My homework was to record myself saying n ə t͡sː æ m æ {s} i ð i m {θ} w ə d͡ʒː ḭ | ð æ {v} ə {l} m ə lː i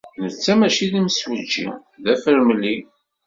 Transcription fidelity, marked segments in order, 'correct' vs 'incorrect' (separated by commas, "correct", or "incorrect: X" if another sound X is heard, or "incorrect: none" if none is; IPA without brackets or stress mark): incorrect: ʃ, incorrect: s, incorrect: f, incorrect: ɾ